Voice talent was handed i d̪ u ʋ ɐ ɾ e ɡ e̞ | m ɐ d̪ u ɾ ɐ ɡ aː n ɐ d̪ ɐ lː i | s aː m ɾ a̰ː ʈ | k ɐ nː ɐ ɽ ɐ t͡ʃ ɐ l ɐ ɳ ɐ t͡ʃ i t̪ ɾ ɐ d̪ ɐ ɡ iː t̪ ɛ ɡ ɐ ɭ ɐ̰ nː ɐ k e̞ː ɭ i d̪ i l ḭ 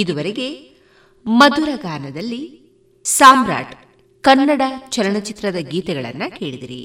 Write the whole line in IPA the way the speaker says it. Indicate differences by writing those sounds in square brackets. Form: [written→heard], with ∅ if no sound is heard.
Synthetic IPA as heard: i d̪ u ʋ ɐ ɾ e ɡ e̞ | m ɐ d̪ u ɾ ɐ ɡ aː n ɐ d̪ ɐ lː i | s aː m ɾ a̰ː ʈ | k ɐ nː ɐ ɽ ɐ t͡ʃ ɐ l ɐ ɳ ɐ t͡ʃ i t̪ ɾ ɐ d̪ ɐ ɡ iː t̪ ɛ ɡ ɐ ɭ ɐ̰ nː ɐ k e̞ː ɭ i d̪ i [l→ɾ] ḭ